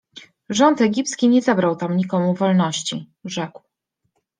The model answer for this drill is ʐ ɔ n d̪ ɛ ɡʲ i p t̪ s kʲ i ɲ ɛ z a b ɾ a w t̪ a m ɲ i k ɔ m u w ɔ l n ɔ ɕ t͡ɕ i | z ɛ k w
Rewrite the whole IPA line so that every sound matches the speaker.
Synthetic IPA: ʐ ɔ n t̪ ɛ ɡʲ i p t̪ s kʲ i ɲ ɛ z a b ɾ a w t̪ a m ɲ i k ɔ m u v ɔ l n ɔ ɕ t͡ɕ i | ʐ ɛ k w

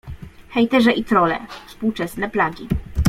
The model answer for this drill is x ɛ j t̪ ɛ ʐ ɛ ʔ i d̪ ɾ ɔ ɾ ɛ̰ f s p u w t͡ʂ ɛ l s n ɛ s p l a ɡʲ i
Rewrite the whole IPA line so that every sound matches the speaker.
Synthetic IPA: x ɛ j t̪ ɛ ʐ ɛ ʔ i t̪ ɾ ɔ l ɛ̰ f s p u w t͡ʂ ɛ s n ɛ p l a ɡʲ i

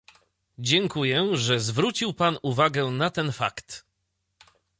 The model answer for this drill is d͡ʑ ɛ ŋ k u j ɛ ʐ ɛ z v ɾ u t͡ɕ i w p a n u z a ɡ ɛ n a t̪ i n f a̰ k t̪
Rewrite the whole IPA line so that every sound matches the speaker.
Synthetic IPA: d͡ʑ ɛ ŋ k u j ɛ ʐ ɛ z v ɾ u t͡ɕ i w p a n u v a ɡ ɛ n a t̪ ɛ n f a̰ k t̪

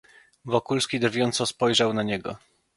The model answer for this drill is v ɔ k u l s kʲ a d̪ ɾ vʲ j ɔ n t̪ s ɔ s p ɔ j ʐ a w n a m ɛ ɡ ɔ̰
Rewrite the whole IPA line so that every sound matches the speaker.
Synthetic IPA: v ɔ k u l s kʲ i d̪ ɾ vʲ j ɔ n t̪ s ɔ s p ɔ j ʐ a w n a ɲ ɛ ɡ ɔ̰

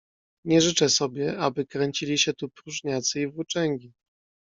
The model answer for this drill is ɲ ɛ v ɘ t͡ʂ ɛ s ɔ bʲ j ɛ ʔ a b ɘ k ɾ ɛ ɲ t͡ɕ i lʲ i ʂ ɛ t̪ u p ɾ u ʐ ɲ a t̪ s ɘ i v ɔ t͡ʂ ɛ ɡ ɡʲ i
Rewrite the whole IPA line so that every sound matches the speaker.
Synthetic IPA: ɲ ɛ ʐ ɘ t͡ʂ ɛ s ɔ bʲ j ɛ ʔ a b ɘ k ɾ ɛ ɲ t͡ɕ i lʲ i ɕ ɛ t̪ u p ɾ u ʐ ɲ a t̪ s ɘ i v u t͡ʂ ɛ ŋ ɡʲ i

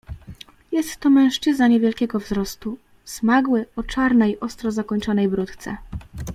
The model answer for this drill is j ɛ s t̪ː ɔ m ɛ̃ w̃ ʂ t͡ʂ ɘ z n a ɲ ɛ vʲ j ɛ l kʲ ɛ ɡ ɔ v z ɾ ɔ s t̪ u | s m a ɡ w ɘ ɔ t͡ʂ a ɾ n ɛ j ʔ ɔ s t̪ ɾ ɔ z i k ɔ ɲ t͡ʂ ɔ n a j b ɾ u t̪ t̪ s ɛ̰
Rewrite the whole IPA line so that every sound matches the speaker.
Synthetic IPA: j ɛ s t̪ː ɔ m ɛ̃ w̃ ʂ t͡ʂ ɘ z n a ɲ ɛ vʲ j ɛ l kʲ ɛ ɡ ɔ v z ɾ ɔ s t̪ u | s m a ɡ w ɘ ɔ t͡ʂ a ɾ n ɛ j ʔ ɔ s t̪ ɾ ɔ z a k ɔ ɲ t͡ʂ ɔ n ɛ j b ɾ u t̪ t̪ s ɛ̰

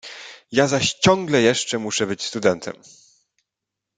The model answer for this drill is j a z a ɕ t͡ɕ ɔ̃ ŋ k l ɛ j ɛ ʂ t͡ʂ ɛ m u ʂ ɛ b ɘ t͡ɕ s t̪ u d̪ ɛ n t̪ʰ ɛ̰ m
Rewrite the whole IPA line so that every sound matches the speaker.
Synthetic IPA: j a z a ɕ t͡ɕ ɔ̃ ŋ ɡ l ɛ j ɛ ʂ t͡ʂ ɛ m u ʂ ɛ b ɘ t͡ɕ s t̪ u d̪ ɛ n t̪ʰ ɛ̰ m

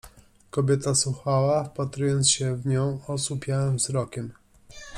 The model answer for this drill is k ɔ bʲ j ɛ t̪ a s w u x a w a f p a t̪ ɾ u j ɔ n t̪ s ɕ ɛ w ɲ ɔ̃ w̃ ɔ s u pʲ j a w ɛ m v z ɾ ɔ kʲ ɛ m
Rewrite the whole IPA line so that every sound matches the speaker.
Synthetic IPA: k ɔ bʲ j ɛ t̪ a s w u x a w a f p a t̪ ɾ u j ɔ n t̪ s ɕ ɛ v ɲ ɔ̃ w̃ ɔ s u pʲ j a w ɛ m v z ɾ ɔ kʲ ɛ m

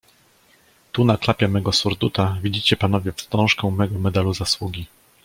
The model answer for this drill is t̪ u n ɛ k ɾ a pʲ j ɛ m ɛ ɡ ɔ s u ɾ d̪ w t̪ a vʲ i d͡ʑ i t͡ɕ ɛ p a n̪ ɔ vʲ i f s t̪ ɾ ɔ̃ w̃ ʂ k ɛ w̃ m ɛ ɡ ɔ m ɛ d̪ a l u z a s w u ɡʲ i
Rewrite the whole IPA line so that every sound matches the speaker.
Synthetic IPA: t̪ u n a k l a pʲ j ɛ m ɛ ɡ ɔ s u ɾ d̪ u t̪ a vʲ i d͡ʑ i t͡ɕ ɛ p a n̪ ɔ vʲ ɛ f s t̪ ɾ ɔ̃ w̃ ʂ k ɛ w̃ m ɛ ɡ ɔ m ɛ d̪ a l u z a s w u ɡʲ i

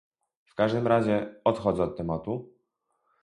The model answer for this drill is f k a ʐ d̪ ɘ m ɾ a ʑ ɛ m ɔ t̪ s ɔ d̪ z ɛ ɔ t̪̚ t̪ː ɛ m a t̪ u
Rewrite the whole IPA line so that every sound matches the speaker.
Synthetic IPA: f k a ʐ d̪ ɘ m ɾ a ʑ ɛ ɔ t̪ x ɔ d̪ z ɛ ɔ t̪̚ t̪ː ɛ m a t̪ u

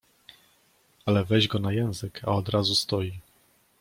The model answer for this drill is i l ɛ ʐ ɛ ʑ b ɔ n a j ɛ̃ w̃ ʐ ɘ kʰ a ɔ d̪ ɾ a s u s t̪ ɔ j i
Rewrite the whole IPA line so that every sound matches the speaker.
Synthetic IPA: a l ɛ v ɛ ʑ ɡ ɔ n a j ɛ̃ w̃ z ɘ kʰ a ɔ d̪ ɾ a z u s t̪ ɔ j i

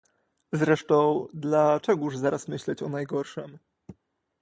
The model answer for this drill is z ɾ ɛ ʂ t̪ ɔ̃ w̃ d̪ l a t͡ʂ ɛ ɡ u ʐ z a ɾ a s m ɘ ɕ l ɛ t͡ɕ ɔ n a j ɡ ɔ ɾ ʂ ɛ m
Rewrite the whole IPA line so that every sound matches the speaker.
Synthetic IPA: z ɾ ɛ ʂ t̪ ɔ̃ w̃ d̪ l a t͡ʂ ɛ ɡ u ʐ z a ɾ a s m ɘ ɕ l ɛ t͡ɕ ɔ n a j ɡ ɔ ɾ ʂ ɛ m

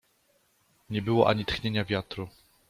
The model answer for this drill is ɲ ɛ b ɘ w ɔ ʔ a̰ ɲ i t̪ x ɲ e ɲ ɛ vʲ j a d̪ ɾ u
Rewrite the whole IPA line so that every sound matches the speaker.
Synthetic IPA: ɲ ɛ b ɘ w ɔ ʔ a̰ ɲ i t̪ x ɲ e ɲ a vʲ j a t̪ ɾ u

